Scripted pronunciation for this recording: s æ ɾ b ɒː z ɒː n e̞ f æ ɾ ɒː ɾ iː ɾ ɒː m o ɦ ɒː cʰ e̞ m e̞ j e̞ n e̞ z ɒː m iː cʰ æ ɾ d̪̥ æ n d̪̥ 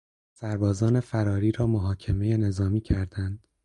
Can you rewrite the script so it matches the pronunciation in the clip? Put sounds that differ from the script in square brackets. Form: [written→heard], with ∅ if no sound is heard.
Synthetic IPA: s æ ɾ b ɒː z ɒː n e̞ f æ ɾ ɒː ɾ iː ɾ ɒː m o ɦ ɒː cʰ e̞ m e̞ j e̞ n e̞ z ɒː m iː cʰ æ ɾ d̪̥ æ n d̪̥